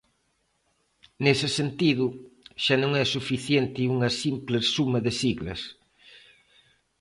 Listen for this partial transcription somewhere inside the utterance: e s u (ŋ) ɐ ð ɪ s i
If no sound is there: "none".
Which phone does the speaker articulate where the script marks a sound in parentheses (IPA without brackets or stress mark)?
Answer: m